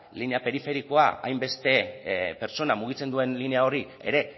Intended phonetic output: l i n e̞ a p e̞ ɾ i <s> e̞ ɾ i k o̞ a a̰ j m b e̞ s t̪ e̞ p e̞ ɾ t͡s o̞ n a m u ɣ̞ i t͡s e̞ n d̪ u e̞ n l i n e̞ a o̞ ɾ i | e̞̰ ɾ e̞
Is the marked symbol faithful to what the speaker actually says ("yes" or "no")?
no